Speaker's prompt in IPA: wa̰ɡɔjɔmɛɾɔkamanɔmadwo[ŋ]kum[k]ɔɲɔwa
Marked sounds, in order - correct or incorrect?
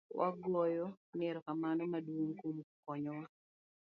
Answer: correct, correct

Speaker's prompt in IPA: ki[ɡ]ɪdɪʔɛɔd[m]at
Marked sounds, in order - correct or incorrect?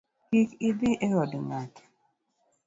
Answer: incorrect, incorrect

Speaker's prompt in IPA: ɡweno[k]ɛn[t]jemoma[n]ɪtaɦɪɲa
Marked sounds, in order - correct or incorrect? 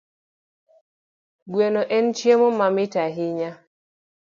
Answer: incorrect, incorrect, incorrect

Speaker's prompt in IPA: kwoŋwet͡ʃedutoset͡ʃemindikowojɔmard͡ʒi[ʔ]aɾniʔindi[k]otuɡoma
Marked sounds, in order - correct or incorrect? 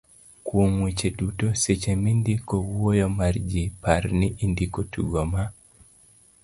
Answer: incorrect, correct

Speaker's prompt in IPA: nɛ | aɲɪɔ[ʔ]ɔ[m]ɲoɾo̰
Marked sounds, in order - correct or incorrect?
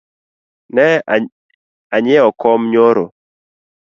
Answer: incorrect, correct

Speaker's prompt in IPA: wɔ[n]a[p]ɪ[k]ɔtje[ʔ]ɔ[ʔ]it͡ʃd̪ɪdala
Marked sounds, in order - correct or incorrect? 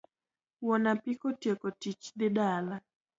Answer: correct, correct, correct, incorrect, incorrect

